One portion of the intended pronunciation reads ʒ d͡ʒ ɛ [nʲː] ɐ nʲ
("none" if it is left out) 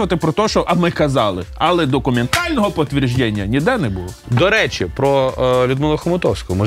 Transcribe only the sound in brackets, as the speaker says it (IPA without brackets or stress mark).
nʲː